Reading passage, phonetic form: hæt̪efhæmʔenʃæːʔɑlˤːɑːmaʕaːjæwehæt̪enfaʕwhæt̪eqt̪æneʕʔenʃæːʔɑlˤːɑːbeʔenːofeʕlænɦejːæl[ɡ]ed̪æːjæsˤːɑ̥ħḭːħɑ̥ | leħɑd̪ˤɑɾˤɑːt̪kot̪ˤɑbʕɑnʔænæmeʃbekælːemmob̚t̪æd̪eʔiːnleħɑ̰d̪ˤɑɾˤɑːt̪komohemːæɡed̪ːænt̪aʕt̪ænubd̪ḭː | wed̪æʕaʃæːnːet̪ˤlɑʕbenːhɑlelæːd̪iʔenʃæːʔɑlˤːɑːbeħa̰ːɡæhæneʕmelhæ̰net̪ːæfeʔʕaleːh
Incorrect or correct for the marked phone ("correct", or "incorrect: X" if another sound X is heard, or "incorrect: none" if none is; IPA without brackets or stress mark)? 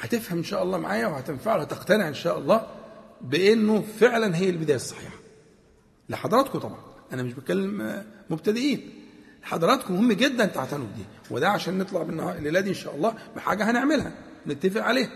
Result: incorrect: b